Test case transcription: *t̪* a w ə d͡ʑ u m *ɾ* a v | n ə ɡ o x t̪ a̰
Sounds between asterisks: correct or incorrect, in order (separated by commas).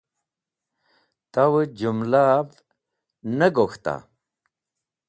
correct, incorrect